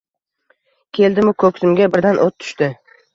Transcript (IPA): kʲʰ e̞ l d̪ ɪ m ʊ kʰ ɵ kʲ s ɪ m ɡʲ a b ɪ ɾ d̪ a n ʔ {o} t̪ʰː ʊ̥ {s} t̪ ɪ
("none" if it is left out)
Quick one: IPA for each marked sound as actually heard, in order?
o, ʃ

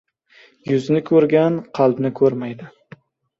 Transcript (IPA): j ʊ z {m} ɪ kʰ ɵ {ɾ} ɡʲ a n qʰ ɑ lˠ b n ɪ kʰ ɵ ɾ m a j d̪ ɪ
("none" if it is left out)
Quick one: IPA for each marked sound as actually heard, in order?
n, ɾ

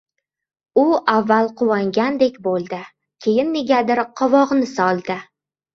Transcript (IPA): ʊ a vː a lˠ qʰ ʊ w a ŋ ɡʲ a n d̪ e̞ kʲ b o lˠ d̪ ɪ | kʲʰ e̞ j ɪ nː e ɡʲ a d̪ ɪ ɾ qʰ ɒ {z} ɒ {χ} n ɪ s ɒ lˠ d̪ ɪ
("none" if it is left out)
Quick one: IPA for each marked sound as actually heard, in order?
v, ʁ

